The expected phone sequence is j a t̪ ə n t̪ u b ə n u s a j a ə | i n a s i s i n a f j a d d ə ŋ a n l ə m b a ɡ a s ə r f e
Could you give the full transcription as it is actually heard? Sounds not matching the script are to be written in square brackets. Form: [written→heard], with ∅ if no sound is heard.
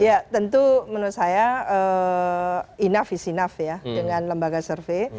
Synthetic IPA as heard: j a t̪ ə n t̪ u [b→m] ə n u s a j a ə | i n a [s→f] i s i n a f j a d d ə ŋ a n l ə m b a ɡ a s ə r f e